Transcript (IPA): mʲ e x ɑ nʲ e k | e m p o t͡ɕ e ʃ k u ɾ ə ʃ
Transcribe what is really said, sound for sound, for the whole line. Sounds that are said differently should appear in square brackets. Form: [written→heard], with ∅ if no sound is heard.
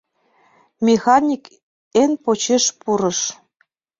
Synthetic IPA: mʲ e x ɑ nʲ [e→i] k | e [m→n] p o t͡ɕ e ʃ [k→p] u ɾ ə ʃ